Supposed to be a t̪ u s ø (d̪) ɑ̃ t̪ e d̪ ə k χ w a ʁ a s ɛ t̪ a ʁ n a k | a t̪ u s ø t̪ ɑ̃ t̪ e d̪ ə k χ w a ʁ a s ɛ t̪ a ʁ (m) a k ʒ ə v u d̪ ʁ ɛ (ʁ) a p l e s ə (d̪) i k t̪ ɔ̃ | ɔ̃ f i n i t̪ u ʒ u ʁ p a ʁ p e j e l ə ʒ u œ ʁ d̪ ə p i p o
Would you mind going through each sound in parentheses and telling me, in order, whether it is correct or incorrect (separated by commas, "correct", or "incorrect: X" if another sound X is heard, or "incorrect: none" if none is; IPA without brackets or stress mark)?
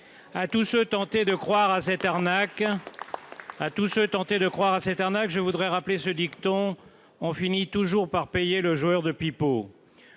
incorrect: t̪, incorrect: n, correct, correct